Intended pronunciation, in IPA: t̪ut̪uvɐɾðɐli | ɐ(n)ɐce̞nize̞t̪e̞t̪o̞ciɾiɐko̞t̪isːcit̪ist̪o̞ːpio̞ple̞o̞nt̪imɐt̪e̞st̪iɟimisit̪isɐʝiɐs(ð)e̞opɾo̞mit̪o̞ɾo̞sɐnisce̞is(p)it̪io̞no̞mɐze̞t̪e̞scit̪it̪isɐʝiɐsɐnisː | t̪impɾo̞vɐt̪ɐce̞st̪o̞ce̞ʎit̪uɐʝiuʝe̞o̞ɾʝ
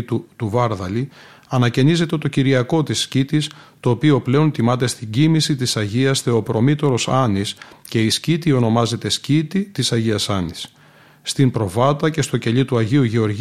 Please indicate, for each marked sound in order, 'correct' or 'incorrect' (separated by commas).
correct, incorrect, incorrect